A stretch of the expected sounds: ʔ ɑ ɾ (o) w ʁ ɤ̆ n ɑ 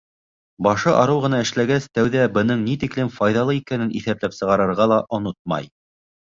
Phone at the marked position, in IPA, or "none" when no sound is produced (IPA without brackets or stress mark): ɤ